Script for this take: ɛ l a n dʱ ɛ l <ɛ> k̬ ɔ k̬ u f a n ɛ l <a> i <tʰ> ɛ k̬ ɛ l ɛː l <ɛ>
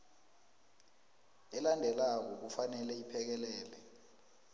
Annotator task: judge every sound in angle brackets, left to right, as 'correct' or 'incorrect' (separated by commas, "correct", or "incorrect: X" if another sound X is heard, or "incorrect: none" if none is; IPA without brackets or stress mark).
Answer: incorrect: a, incorrect: ɛ, incorrect: pʰ, correct